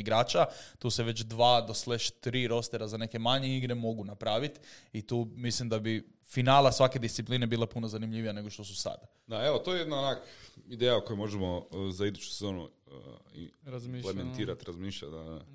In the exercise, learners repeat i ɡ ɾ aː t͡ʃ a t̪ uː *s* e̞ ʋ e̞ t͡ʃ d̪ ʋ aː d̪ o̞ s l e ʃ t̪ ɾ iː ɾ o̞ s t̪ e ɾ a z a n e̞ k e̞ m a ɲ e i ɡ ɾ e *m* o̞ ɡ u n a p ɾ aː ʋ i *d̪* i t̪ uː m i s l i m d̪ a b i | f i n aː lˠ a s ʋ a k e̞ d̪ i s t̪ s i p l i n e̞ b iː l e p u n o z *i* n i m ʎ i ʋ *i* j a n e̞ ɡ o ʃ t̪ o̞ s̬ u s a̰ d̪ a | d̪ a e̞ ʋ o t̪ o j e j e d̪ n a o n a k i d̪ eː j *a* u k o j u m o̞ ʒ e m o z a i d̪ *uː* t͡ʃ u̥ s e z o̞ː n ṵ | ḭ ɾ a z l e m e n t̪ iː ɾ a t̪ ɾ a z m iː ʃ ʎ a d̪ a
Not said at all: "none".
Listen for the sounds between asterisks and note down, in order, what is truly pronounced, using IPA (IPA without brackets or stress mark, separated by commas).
s, m, t̪, a, i, a, u